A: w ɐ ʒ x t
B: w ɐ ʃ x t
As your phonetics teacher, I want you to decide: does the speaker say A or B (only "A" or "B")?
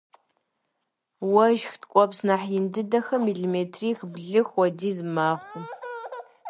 A